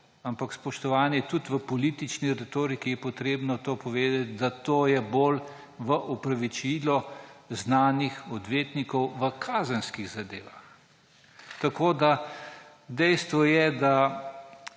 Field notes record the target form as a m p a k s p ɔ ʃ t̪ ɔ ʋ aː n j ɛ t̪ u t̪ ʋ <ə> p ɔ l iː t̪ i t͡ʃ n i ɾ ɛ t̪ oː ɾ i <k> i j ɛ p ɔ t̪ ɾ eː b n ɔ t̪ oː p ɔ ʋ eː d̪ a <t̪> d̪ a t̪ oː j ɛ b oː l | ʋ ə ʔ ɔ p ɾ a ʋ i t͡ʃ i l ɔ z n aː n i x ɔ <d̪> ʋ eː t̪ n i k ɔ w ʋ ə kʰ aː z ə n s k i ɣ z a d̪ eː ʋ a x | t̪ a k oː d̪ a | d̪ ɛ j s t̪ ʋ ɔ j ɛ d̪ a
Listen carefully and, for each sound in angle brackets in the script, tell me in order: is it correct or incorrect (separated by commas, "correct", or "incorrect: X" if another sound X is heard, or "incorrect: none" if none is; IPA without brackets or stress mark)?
correct, correct, correct, correct